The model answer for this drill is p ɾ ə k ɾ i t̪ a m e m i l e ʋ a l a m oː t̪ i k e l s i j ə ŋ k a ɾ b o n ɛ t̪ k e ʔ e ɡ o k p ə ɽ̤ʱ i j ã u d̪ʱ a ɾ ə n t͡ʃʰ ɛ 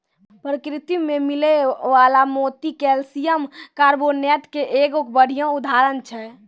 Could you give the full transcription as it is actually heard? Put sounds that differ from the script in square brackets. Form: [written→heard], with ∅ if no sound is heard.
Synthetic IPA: p ɾ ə k ɾ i t̪ [a→i] m e m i l e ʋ a l a m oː t̪ i k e l s i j ə [ŋ→m] k a ɾ b o n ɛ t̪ k e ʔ e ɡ o k [p→b] ə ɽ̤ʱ i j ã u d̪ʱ a ɾ ə n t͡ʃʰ ɛ